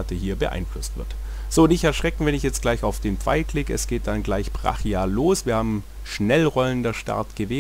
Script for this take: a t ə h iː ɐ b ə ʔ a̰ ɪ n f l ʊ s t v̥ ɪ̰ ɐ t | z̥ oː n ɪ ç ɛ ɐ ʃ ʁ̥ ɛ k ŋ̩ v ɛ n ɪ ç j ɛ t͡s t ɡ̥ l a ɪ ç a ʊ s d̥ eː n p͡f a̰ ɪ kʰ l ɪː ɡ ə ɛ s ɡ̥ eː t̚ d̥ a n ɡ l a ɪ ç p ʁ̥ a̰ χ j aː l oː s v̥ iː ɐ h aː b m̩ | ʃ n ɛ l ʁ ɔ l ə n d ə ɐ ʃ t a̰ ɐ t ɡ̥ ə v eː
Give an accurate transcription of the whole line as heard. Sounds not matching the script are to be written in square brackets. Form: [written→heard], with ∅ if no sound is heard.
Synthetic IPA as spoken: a t ə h iː ɐ b ə ʔ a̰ ɪ n f l ʊ s t v̥ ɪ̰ ɐ t | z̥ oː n ɪ ç ɛ ɐ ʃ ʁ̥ ɛ k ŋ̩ v ɛ n ɪ ç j ɛ t͡s t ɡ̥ l a ɪ ç a ʊ [s→f] d̥ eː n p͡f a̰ ɪ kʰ l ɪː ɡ ə ɛ s ɡ̥ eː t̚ d̥ a n ɡ l a ɪ ç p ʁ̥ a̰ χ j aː l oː s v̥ iː ɐ h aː b m̩ | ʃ n ɛ l ʁ ɔ l ə n d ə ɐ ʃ t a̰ ɐ t ɡ̥ ə v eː